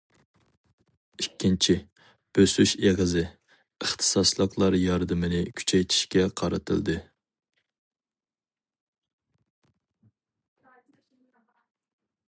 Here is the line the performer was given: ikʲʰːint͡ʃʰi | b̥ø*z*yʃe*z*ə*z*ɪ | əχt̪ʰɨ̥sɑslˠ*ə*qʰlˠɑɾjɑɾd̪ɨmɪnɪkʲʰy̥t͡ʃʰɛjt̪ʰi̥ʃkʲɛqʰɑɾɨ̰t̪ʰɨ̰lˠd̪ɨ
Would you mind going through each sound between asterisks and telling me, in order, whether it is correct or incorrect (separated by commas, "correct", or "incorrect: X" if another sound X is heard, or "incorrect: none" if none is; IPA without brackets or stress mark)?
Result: incorrect: s, incorrect: ʁ, correct, correct